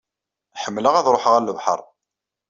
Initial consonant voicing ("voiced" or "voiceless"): voiceless